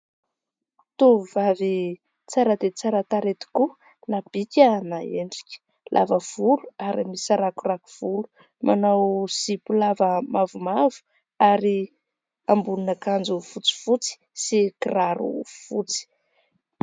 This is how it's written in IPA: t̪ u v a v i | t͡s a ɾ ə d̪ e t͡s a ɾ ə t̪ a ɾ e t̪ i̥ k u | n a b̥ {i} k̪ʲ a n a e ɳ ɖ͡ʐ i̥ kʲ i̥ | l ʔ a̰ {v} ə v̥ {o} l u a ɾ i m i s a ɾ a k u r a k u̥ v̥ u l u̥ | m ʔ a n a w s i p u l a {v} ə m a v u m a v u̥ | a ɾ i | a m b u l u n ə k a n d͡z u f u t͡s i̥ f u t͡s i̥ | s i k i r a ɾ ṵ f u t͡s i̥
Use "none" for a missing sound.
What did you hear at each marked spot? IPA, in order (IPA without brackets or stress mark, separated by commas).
i, v, u, v